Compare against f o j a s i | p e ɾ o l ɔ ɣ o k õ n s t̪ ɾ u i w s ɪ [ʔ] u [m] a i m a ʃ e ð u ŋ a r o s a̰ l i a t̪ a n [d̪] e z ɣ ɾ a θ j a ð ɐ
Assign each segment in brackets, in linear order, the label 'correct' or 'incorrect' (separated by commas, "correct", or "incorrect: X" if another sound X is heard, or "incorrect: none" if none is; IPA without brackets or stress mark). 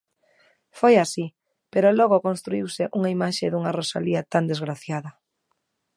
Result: correct, incorrect: ŋ, correct